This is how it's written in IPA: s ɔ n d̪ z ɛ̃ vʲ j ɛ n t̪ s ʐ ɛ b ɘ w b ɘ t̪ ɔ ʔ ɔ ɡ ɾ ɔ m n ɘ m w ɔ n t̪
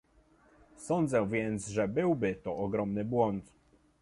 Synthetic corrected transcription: s ɔ n d̪ z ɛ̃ vʲ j ɛ n t̪ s ʐ ɛ b ɘ w b ɘ t̪ ɔ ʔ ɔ ɡ ɾ ɔ m n ɘ b w ɔ n t̪